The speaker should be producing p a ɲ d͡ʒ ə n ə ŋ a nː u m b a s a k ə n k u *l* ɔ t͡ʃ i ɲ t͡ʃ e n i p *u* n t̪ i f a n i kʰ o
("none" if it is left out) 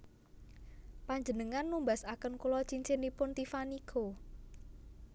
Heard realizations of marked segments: l, ʊ

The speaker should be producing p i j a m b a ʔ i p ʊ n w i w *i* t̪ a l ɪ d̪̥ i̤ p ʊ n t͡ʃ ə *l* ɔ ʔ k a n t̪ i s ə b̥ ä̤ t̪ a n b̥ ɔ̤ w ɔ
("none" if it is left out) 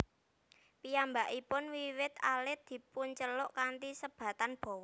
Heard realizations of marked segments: ɪ, l

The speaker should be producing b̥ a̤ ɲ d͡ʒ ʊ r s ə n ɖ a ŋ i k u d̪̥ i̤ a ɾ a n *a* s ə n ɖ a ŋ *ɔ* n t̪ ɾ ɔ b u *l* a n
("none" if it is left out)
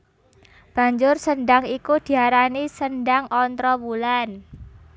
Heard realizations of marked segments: i, ɔ, l

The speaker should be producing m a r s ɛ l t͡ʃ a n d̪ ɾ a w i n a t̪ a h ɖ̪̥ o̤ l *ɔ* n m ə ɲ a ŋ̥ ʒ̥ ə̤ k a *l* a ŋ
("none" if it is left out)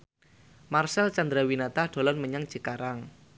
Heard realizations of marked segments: ɔ, ɾ

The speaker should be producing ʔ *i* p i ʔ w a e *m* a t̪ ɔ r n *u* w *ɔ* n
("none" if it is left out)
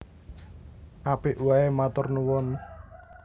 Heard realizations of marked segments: a, m, u, ɔ

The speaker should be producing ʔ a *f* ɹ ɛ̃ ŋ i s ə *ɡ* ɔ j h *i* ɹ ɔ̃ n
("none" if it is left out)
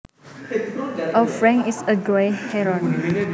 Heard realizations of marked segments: f, ɡ, ɛ

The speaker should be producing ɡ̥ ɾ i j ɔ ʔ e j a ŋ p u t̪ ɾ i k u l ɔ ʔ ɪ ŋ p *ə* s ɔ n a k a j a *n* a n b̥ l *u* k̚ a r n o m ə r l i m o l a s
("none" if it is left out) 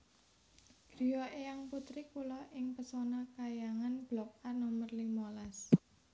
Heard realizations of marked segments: ə, ŋ, ɔ

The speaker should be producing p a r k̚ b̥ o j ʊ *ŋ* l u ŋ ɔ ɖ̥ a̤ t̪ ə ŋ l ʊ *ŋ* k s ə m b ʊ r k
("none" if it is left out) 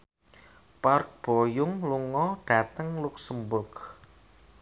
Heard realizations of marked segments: ŋ, none

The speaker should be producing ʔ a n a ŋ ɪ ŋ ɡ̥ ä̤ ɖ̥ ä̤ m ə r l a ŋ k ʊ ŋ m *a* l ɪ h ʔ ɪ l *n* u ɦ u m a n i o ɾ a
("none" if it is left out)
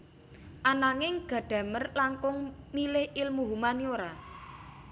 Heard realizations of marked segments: i, m

